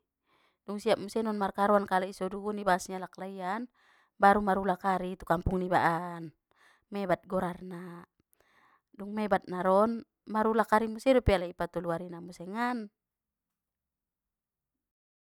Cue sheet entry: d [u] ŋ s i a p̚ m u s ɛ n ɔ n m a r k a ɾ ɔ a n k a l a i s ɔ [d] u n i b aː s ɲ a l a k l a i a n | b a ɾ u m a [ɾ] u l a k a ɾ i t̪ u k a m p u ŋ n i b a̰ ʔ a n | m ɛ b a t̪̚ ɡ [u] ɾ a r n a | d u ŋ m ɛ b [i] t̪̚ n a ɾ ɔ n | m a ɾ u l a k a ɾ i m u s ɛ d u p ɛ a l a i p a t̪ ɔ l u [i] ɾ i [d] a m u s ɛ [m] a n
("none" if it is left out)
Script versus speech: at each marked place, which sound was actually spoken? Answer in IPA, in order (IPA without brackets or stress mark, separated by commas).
u, d, ɾ, ɔ, a, a, n, ŋ